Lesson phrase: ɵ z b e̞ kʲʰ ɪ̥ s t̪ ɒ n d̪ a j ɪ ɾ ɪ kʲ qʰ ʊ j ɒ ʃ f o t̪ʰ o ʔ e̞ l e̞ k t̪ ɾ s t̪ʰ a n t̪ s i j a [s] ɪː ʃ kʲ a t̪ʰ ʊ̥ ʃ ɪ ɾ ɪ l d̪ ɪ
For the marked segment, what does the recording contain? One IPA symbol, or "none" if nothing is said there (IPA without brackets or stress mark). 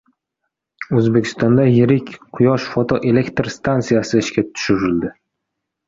s